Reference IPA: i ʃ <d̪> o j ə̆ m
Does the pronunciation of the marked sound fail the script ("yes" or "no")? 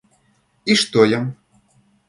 yes